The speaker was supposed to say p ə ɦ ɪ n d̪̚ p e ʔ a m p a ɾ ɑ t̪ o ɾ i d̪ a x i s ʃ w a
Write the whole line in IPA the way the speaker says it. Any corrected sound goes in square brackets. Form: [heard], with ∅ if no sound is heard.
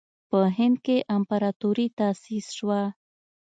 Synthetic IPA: p ə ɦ ɪ n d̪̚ [k] e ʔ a m p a ɾ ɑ t̪ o ɾ i [t̪] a [s] i s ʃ w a